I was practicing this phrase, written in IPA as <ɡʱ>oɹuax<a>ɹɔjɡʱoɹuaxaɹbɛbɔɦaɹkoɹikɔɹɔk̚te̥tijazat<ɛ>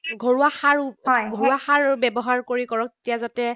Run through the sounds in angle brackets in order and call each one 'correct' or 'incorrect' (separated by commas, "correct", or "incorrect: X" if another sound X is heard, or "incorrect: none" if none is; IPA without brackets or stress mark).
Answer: correct, correct, correct